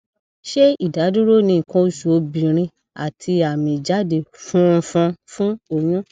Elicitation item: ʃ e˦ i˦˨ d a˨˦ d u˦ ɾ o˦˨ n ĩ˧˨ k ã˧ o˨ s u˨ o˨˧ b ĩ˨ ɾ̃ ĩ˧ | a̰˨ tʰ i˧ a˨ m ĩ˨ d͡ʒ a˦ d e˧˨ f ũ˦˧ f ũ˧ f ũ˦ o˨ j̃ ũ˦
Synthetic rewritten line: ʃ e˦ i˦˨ d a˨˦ d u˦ ɾ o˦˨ n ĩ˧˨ k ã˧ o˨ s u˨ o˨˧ b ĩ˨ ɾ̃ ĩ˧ | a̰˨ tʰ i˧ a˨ m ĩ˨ d͡ʒ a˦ d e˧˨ f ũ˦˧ f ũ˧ f ũ˦ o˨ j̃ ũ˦